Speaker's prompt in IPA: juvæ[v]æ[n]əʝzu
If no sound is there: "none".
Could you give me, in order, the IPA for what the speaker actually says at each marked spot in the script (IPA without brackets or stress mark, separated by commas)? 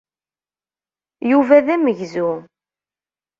ð, m